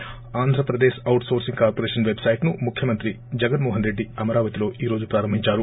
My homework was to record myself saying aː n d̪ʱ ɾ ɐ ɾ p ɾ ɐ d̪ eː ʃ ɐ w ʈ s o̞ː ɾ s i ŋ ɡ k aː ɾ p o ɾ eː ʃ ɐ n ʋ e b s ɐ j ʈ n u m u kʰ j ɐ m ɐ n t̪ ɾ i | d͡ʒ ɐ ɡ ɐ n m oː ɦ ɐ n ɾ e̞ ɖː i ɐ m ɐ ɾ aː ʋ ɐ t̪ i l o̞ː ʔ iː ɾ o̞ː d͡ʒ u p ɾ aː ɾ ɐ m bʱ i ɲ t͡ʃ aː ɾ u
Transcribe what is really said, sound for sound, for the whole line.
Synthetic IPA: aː n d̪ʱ ɾ ɐ p ɾ ɐ d̪ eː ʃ ɐ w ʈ s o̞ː ɾ s i ŋ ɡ k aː ɾ p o ɾ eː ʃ ɐ n ʋ e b s ɐ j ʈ n u m u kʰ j ɐ m ɐ n t̪ ɾ i | d͡ʒ ɐ ɡ ɐ n m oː ɦ ɐ n ɾ e̞ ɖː i ɐ m ɐ ɾ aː ʋ ɐ t̪ i l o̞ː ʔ iː ɾ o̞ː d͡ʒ u p ɾ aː ɾ ɐ m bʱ i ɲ t͡ʃ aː ɾ u